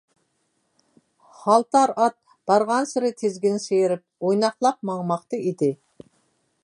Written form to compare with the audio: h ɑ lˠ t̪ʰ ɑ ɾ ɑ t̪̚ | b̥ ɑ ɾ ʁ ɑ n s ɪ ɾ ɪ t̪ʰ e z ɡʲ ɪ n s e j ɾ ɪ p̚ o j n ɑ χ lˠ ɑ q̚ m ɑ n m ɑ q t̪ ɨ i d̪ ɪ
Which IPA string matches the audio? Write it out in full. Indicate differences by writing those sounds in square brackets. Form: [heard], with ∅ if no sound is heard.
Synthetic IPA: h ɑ lˠ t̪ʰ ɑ ɾ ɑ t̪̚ | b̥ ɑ ɾ ʁ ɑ n s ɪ ɾ ɪ t̪ʰ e z ɡʲ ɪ n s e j ɾ ɪ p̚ o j n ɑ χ lˠ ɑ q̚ m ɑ [ŋ] m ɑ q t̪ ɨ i d̪ ɪ